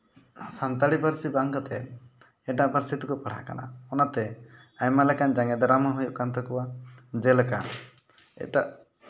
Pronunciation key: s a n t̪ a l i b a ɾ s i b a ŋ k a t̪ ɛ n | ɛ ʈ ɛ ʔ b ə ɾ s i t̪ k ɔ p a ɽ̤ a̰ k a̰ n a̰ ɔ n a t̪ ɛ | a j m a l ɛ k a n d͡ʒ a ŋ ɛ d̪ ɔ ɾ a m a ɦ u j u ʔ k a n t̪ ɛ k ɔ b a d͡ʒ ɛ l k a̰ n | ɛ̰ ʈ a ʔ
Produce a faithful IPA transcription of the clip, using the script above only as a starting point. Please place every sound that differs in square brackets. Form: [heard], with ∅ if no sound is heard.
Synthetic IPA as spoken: s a n t̪ a [ɽ] i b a ɾ s i b a ŋ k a t̪ ɛ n | ɛ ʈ [a] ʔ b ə ɾ s i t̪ k ɔ p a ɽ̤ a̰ k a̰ n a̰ ɔ n a t̪ ɛ | a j m a l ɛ k a n d͡ʒ a ŋ ɛ d̪ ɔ ɾ a m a ɦ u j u ʔ k a n t̪ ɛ k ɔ [w] a d͡ʒ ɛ l k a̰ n | ɛ̰ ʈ a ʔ